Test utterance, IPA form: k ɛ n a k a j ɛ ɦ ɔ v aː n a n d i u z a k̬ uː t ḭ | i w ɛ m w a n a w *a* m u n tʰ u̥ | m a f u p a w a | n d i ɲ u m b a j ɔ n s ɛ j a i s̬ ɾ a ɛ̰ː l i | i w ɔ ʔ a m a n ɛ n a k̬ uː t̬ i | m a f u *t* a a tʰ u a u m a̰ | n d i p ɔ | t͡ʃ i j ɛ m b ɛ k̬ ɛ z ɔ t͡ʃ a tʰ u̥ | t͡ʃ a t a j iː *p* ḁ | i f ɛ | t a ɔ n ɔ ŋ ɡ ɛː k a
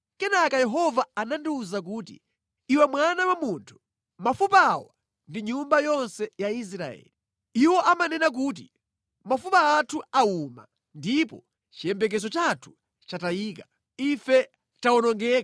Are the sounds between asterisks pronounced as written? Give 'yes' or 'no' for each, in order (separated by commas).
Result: yes, no, no